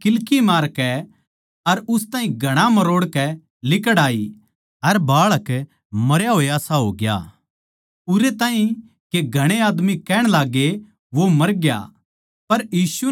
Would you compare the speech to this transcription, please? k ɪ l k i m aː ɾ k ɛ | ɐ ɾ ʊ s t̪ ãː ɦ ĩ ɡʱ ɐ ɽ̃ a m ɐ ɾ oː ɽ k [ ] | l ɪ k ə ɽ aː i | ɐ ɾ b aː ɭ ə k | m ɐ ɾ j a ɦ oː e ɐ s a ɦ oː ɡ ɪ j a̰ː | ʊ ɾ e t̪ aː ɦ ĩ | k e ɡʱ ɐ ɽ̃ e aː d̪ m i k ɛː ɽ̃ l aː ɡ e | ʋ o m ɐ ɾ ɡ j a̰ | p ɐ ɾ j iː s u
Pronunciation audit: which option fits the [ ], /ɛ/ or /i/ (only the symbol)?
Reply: ɛ